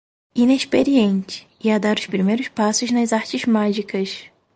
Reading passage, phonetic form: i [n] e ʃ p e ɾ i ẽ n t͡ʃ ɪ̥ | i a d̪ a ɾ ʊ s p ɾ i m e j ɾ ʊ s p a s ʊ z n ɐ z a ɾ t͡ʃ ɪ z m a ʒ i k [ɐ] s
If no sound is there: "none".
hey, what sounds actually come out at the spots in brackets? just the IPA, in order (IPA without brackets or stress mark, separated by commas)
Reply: n, ɐ